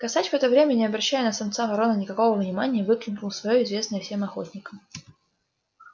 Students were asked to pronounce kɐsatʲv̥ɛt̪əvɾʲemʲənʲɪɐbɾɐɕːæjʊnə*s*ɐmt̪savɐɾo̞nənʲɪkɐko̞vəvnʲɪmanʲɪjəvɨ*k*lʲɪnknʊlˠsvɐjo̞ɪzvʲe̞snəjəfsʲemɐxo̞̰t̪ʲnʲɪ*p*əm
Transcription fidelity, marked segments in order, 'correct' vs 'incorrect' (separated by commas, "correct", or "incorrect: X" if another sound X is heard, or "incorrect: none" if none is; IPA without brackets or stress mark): correct, correct, incorrect: k